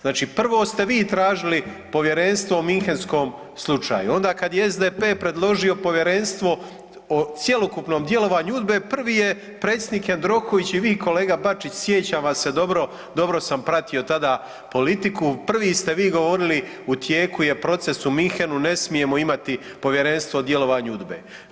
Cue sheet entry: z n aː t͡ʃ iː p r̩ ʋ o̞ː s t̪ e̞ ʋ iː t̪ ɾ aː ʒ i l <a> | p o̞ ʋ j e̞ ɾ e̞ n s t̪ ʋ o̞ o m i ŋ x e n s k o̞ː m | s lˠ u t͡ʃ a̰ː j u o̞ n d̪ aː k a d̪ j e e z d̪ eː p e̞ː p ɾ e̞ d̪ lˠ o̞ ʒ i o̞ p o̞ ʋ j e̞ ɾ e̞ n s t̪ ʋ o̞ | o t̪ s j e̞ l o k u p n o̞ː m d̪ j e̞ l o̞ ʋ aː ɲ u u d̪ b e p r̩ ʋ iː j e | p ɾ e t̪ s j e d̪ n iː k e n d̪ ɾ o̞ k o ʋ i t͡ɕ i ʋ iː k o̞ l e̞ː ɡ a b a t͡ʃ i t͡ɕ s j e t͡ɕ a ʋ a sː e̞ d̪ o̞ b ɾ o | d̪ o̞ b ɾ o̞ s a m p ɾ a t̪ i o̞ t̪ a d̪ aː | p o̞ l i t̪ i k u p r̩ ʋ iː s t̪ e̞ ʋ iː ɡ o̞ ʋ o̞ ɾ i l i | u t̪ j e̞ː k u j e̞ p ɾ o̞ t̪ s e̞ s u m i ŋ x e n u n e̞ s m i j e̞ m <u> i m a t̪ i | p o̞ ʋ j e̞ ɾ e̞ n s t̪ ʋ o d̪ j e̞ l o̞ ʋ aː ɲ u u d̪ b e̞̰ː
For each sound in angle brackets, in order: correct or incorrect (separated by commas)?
incorrect, incorrect